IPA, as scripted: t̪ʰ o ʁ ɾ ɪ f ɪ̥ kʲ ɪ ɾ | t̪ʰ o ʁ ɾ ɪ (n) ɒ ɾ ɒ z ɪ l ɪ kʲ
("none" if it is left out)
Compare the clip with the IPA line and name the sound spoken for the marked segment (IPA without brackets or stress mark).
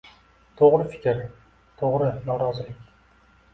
n